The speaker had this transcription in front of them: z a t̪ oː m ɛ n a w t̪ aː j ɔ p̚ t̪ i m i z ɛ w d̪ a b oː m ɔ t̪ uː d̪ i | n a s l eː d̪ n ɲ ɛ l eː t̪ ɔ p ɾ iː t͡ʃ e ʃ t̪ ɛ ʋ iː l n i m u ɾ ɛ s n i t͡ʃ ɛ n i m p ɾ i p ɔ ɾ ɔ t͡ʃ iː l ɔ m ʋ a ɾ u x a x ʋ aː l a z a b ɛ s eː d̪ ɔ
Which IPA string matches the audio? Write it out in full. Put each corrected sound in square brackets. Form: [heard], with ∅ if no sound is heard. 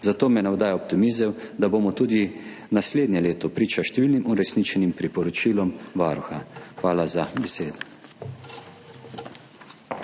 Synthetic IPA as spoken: z a t̪ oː m ɛ n a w [d̪] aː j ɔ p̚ t̪ i m i z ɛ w d̪ a b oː m ɔ t̪ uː d̪ i | n a s l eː d̪ n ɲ ɛ l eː t̪ ɔ p ɾ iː t͡ʃ [a] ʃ t̪ ɛ ʋ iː l n i m u ɾ ɛ s n i t͡ʃ ɛ n i m p ɾ i p ɔ ɾ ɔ t͡ʃ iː l ɔ m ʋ a ɾ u x a x ʋ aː l a z a b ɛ s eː d̪ ɔ